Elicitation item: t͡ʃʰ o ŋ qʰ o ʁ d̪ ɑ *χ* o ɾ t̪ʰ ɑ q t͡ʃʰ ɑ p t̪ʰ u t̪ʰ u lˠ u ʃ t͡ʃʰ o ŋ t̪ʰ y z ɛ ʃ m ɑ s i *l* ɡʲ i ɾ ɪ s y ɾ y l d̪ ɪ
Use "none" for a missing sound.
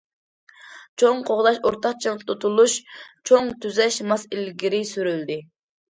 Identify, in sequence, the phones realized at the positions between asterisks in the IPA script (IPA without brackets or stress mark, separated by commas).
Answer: ʃ, l